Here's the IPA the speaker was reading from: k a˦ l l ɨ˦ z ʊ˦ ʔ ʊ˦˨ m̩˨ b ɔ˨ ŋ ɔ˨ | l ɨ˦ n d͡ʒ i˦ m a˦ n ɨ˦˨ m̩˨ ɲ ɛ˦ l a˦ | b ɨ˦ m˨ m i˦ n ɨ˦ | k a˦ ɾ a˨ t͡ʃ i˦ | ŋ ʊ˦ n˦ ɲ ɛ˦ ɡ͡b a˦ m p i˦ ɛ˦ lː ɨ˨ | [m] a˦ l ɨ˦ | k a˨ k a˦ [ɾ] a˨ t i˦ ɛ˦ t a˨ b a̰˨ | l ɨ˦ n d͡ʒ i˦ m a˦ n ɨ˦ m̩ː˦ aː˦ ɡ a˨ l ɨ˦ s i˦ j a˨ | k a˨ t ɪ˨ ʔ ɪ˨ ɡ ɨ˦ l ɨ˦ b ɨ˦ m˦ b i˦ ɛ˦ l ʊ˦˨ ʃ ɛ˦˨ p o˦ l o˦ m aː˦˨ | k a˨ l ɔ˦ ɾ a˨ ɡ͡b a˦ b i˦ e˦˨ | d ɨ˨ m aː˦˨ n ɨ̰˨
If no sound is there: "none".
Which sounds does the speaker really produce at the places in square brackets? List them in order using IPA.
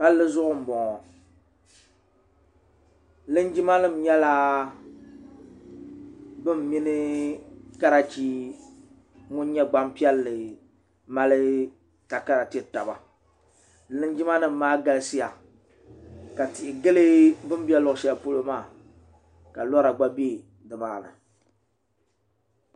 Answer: m, ɾ

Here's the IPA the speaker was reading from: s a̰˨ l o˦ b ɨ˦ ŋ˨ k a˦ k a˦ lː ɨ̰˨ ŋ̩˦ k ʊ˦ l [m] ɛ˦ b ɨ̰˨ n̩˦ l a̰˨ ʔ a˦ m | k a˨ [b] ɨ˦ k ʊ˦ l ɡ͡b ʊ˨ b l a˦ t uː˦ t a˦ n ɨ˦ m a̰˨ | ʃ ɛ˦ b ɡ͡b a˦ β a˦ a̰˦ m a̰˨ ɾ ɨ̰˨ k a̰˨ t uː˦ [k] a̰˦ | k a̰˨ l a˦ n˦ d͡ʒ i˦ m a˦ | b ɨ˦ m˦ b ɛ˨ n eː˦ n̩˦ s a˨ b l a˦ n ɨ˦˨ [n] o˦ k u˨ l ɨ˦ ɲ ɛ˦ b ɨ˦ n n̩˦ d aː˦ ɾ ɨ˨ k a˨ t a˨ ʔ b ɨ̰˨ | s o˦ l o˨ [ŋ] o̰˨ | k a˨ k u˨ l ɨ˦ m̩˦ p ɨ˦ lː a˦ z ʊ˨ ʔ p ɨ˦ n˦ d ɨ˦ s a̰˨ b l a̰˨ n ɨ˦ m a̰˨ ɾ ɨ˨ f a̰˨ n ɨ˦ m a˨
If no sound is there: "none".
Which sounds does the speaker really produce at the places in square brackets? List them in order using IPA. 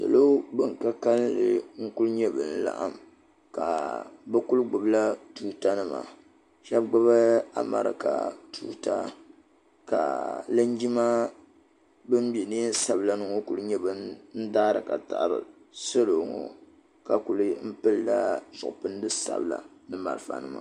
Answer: ɲ, b, t, ŋ, ŋ

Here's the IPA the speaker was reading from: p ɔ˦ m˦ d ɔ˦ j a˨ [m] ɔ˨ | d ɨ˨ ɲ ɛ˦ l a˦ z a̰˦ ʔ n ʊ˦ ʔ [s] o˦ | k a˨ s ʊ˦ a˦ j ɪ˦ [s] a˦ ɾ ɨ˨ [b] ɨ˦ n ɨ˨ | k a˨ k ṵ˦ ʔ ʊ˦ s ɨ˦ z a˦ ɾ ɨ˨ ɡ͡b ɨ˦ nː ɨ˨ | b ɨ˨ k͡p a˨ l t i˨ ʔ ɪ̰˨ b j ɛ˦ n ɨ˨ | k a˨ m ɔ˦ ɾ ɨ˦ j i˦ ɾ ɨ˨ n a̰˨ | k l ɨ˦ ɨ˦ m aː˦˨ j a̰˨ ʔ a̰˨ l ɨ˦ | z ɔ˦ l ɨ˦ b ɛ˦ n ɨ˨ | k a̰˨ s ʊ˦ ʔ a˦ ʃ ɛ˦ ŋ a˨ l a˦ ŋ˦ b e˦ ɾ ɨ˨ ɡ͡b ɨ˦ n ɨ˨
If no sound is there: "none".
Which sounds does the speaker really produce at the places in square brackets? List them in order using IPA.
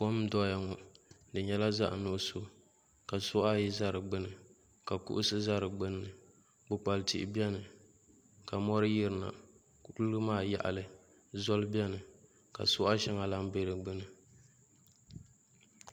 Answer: ŋ, s, z, ɡ͡b

